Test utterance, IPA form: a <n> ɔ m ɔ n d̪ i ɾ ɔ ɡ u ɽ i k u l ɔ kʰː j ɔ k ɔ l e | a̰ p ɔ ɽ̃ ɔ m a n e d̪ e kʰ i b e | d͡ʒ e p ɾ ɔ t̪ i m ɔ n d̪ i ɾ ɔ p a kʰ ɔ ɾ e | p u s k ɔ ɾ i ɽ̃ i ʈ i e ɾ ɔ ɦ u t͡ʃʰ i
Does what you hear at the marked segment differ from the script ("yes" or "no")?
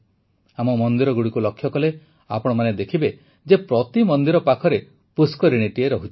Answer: yes